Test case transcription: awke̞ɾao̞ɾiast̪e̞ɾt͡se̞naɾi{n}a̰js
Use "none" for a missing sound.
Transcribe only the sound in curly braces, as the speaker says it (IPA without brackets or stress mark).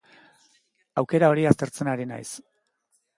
n